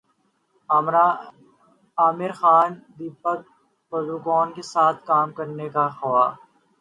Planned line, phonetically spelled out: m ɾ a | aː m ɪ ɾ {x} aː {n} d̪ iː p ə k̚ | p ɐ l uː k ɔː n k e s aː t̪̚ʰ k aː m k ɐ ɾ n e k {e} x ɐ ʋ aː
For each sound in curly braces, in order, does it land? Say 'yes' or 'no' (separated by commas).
yes, yes, no